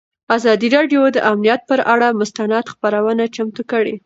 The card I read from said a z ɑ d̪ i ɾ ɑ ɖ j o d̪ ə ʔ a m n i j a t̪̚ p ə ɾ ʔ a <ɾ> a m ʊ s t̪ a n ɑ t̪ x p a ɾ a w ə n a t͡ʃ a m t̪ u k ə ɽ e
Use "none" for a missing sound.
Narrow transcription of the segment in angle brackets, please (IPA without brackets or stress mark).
ɽ